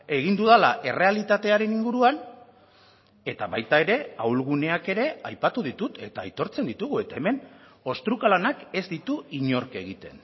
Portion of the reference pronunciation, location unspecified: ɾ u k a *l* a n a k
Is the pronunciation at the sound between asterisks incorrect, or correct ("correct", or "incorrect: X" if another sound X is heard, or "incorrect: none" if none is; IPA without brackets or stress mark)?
correct